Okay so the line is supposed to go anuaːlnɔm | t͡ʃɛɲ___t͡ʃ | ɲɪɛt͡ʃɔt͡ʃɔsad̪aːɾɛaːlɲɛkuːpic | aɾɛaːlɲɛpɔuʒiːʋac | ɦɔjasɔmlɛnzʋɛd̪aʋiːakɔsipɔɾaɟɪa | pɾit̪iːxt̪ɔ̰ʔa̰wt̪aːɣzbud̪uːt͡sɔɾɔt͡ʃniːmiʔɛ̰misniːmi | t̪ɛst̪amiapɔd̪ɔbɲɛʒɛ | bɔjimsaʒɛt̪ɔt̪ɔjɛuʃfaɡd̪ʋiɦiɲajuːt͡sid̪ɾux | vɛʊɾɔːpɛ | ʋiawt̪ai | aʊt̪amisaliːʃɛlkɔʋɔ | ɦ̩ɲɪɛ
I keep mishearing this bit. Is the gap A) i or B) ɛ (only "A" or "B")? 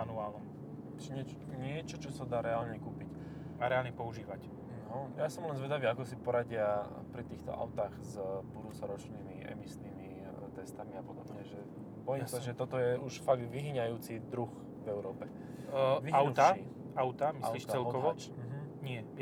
B